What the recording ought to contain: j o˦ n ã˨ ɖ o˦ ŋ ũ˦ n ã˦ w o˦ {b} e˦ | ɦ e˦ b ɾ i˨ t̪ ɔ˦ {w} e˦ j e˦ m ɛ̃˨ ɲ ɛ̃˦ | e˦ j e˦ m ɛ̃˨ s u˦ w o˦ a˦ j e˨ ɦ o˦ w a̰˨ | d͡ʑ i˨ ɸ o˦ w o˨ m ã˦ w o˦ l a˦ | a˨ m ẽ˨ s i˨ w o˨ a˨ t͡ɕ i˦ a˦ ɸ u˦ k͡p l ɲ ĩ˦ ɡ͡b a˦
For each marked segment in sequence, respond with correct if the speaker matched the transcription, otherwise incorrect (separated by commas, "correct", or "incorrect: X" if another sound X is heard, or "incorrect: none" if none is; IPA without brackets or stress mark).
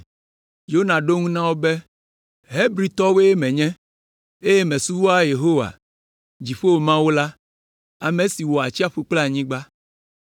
correct, correct